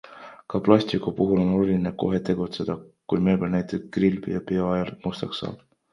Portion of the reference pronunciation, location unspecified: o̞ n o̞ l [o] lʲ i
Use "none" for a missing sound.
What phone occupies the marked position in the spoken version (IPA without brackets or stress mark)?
u